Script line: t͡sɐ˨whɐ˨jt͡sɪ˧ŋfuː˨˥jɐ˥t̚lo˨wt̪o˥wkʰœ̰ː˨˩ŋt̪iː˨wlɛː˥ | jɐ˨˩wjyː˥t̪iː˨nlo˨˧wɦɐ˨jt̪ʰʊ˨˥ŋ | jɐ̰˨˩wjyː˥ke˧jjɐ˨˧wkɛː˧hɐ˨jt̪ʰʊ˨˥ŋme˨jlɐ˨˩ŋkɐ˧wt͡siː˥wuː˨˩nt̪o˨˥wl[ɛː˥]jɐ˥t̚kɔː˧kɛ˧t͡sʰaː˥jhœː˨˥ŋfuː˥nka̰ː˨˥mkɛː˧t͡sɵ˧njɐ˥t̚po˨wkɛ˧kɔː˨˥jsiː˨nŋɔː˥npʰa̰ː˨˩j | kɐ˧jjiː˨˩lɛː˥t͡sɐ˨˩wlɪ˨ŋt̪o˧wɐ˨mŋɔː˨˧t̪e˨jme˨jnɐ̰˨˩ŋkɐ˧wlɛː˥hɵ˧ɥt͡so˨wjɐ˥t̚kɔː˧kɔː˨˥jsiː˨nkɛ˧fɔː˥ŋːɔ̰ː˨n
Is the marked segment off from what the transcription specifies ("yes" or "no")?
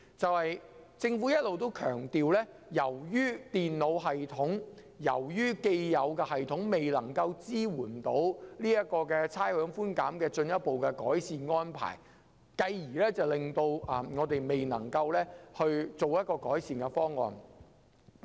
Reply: yes